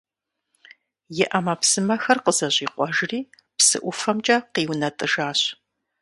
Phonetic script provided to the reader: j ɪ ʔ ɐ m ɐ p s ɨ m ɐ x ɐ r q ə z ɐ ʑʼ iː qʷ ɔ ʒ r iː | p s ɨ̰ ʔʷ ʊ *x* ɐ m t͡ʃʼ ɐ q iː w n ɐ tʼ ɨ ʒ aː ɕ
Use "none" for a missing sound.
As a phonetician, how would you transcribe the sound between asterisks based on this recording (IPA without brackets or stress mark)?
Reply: f